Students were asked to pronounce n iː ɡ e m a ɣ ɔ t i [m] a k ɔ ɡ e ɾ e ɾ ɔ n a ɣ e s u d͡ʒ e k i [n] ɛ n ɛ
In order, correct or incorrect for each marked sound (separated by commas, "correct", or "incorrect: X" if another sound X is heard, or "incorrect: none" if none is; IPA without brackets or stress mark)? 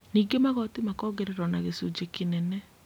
correct, correct